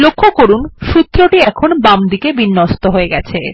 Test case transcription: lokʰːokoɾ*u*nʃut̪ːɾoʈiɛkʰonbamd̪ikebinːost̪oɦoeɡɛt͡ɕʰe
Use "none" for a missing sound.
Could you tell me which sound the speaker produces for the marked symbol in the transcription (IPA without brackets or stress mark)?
u